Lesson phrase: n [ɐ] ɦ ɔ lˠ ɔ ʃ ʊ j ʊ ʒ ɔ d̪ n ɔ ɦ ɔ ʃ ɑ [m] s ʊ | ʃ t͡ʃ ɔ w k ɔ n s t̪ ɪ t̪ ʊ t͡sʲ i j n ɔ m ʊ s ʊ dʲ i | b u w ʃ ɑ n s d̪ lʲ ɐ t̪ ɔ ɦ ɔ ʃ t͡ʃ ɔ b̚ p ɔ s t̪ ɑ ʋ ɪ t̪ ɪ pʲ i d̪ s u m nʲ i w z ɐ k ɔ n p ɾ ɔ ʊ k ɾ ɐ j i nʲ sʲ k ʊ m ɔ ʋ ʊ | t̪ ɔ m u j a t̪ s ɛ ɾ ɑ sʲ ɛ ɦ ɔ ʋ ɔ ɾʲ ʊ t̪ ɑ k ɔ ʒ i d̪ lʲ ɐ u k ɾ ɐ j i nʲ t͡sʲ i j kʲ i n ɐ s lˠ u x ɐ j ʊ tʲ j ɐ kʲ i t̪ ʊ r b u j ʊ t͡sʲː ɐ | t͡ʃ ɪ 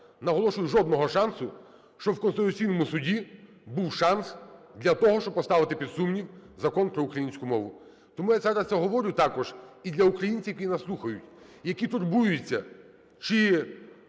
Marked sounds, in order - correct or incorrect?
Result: correct, incorrect: n

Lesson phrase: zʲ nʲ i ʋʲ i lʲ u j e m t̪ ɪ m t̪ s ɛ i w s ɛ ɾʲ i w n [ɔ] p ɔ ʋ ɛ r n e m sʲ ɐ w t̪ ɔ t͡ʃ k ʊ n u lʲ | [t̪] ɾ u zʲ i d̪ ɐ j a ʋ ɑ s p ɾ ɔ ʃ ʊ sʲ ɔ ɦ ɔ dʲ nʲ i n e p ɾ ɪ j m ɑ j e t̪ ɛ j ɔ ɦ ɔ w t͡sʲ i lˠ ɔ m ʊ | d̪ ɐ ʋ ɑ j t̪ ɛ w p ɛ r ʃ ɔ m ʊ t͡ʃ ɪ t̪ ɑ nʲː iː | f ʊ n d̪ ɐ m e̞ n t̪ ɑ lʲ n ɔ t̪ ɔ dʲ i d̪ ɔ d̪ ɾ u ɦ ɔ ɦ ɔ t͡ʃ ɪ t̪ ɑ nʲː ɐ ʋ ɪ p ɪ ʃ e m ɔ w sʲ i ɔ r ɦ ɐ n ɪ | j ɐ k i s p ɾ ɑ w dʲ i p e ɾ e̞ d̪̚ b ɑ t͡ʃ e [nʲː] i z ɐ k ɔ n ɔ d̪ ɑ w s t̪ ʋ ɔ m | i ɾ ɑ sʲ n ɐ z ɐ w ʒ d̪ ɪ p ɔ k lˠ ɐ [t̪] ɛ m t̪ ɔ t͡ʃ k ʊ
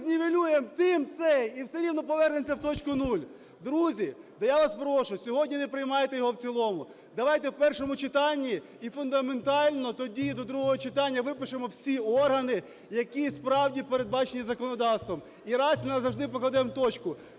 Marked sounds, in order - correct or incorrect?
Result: correct, incorrect: d̪, incorrect: nʲ, incorrect: d̪

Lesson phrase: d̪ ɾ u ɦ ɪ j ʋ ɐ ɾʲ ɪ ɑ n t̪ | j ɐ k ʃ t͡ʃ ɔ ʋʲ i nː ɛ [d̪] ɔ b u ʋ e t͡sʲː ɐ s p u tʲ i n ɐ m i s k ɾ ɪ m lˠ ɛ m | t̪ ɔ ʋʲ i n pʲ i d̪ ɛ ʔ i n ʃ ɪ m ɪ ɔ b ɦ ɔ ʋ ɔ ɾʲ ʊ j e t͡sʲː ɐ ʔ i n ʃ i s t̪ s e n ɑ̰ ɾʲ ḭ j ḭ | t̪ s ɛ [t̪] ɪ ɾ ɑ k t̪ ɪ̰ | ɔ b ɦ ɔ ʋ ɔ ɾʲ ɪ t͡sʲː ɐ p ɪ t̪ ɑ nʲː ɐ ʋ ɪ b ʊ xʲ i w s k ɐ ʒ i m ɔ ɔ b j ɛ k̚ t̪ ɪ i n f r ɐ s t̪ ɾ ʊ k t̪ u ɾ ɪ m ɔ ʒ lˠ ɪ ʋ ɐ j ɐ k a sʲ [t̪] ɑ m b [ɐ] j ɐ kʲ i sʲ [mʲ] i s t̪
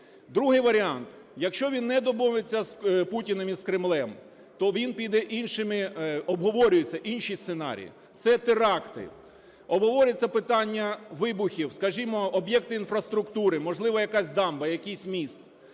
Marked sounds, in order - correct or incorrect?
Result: correct, correct, incorrect: d̪, correct, correct

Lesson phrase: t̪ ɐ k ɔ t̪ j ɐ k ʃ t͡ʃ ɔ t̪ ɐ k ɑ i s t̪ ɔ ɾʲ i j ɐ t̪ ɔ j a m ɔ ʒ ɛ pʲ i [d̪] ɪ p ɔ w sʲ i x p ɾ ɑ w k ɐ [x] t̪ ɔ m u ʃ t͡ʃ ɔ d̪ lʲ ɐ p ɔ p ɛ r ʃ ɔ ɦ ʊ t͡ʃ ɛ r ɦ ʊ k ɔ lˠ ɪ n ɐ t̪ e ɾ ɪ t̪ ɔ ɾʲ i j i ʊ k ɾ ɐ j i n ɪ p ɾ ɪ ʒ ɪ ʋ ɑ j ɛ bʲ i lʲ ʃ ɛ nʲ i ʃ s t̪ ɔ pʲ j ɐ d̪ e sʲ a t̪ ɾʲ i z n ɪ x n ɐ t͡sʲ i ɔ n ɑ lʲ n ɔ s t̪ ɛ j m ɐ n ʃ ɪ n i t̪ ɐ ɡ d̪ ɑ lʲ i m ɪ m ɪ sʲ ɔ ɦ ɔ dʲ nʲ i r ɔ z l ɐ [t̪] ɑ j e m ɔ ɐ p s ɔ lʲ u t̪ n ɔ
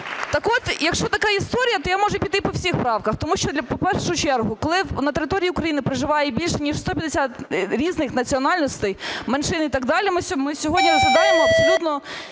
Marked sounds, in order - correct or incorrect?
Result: incorrect: t̪, correct, incorrect: d̪

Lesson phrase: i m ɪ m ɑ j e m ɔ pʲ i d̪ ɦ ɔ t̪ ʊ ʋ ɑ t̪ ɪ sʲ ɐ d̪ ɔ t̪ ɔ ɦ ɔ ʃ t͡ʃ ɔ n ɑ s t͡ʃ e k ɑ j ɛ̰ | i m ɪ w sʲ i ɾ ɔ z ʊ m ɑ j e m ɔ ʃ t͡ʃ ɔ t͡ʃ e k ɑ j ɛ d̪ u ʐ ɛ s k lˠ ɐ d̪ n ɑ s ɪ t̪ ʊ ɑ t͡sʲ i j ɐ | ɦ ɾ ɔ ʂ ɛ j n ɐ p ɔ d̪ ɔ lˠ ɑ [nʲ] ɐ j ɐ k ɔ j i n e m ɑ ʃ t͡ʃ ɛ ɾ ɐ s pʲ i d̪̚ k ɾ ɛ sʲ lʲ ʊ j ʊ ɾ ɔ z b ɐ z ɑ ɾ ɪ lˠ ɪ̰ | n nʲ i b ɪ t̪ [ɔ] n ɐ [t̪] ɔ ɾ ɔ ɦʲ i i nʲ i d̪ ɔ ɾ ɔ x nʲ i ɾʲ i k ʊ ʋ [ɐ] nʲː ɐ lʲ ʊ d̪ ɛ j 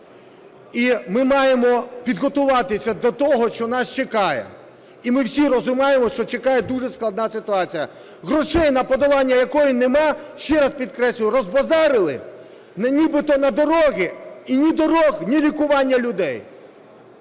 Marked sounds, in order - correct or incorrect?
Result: incorrect: nʲː, correct, incorrect: d̪, incorrect: ɑ

